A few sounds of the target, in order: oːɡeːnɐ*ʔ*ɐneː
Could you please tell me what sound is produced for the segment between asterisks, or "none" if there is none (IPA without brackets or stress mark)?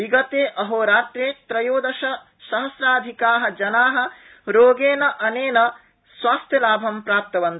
ʔ